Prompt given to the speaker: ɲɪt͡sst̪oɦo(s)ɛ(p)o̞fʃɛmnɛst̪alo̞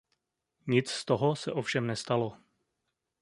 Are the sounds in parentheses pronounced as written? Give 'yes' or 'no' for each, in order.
yes, no

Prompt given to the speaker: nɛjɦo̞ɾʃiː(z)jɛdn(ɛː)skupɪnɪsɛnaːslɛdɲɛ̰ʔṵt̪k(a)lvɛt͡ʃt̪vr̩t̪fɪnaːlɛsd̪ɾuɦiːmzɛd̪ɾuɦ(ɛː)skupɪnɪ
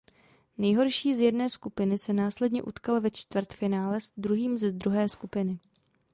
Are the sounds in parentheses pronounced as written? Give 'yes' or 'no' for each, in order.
yes, yes, yes, yes

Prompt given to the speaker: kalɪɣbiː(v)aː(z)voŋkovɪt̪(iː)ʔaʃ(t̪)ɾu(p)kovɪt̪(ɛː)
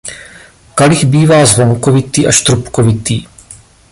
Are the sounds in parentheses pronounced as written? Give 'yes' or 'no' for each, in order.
yes, yes, yes, yes, yes, no

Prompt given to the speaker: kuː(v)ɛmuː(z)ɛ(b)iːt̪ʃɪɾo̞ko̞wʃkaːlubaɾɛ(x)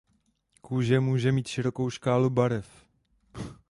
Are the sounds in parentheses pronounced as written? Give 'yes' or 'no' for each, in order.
no, no, no, no

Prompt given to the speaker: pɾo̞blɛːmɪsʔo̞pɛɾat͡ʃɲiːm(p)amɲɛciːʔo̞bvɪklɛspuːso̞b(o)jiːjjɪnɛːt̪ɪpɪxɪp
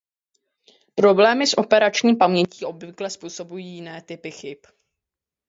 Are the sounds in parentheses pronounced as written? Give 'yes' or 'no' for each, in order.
yes, no

